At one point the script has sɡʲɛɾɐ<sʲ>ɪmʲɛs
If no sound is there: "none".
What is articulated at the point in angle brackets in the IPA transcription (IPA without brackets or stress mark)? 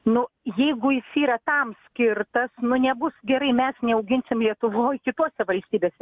none